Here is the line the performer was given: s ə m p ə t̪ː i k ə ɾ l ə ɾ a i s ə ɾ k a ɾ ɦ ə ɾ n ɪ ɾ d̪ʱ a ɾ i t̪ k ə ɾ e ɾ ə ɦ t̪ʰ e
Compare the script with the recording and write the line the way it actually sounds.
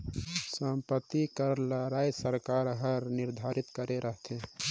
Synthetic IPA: s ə m p ə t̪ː i k ə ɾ l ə ɾ a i s ə ɾ k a ɾ ɦ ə ɾ n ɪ ɾ d̪ʱ a ɾ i t̪ k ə ɾ e ɾ ə ɦ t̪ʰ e